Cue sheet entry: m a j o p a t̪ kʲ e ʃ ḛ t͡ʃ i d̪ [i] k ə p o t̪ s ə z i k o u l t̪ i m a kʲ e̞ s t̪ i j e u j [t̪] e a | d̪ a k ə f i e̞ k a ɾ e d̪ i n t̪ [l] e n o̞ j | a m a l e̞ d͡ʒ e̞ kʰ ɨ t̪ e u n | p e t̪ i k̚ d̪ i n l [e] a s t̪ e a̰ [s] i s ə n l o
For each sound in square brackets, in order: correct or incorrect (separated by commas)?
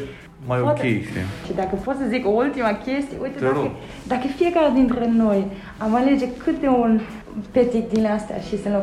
incorrect, correct, incorrect, correct, incorrect